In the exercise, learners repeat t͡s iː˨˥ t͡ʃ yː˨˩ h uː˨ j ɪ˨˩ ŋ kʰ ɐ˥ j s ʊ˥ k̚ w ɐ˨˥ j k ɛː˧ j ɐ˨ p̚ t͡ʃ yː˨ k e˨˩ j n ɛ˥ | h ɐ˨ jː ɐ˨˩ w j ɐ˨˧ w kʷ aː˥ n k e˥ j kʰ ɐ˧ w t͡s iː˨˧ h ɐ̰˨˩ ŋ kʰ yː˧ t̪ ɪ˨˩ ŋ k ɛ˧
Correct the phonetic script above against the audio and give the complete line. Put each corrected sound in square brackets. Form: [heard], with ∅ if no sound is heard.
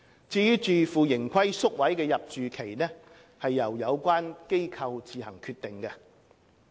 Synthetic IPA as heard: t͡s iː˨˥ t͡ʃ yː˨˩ [f] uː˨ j ɪ˨˩ ŋ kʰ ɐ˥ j s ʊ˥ k̚ w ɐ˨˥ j k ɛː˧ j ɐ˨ p̚ t͡ʃ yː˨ [kʰ] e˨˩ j n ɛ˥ | h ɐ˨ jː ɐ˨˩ w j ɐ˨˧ w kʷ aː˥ n k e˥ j kʰ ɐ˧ w t͡s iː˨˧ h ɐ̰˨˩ ŋ kʰ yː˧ t̪ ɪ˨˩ ŋ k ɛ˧